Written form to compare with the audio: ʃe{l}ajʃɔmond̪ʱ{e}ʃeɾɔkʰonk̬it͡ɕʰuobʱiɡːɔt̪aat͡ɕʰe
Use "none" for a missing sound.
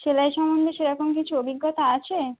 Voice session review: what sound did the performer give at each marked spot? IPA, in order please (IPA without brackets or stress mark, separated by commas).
l, e